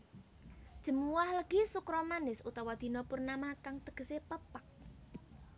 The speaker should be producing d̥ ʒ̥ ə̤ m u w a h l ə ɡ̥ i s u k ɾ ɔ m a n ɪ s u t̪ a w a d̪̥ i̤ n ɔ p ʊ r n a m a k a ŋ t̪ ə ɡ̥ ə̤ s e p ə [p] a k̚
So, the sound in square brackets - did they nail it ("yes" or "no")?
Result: yes